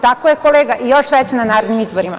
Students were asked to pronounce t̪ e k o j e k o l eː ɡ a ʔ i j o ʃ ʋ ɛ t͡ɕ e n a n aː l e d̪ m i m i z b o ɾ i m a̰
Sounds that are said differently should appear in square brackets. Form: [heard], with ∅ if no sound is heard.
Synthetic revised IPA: t̪ [a] k o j e k o l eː ɡ a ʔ i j o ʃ ʋ ɛ t͡ɕ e n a n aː [ɾ] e d̪ [n] i m i z b o ɾ i m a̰